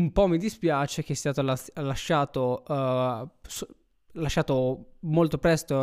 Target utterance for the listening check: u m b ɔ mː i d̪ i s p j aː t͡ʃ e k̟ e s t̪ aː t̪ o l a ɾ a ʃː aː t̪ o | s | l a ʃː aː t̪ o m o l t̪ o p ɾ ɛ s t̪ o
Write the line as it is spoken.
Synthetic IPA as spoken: u m p ɔ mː i d̪ i s p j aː t͡ʃ e k̟ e s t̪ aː t̪ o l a l a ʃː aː t̪ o | s | l a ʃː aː t̪ o m o l t̪ o p ɾ ɛ s t̪ o